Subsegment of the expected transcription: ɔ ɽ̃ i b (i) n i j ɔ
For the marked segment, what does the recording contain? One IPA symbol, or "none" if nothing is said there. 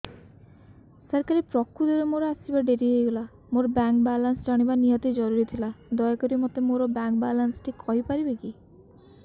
a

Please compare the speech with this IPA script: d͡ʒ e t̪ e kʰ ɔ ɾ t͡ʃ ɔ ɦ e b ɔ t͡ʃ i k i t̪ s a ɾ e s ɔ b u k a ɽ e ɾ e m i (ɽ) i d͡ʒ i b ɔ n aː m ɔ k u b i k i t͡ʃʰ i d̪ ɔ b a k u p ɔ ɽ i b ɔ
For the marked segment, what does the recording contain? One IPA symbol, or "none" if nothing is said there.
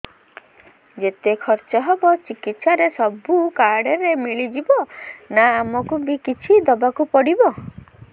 ɭ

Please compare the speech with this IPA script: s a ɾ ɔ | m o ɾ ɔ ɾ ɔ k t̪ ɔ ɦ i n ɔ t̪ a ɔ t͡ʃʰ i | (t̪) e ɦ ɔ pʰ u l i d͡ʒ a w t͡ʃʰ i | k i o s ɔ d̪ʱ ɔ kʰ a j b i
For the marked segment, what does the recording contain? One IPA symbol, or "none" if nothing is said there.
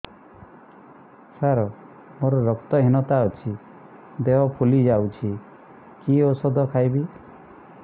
d̪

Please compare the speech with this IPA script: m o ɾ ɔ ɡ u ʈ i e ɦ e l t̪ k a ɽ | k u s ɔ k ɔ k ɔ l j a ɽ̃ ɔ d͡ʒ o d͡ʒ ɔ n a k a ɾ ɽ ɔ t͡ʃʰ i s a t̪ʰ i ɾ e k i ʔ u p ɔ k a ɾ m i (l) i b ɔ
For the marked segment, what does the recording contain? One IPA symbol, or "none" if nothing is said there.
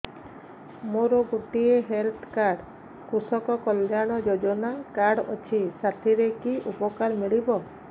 ɭ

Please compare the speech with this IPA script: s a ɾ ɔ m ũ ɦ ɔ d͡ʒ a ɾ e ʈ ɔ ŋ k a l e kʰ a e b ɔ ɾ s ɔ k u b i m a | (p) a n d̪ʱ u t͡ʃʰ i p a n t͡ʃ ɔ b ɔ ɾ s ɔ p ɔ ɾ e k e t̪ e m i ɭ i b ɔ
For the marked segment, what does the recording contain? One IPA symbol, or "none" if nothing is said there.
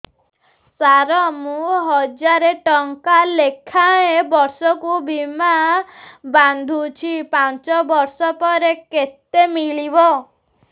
b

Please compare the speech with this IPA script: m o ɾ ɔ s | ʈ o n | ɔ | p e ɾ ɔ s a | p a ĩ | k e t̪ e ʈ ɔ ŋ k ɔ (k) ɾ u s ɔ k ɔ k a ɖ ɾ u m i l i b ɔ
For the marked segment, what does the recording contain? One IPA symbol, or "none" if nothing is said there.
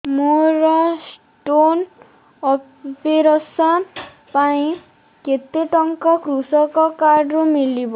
k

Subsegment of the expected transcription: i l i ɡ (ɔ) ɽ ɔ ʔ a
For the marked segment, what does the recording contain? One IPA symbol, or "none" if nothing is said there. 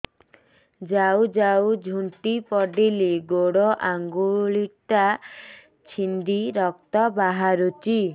o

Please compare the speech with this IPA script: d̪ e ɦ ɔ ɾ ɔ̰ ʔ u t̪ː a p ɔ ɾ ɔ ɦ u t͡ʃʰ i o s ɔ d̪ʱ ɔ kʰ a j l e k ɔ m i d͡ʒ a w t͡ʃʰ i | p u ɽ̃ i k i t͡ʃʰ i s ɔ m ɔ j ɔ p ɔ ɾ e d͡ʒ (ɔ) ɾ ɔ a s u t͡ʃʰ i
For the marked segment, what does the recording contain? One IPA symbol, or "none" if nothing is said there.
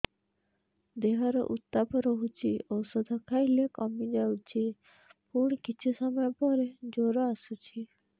o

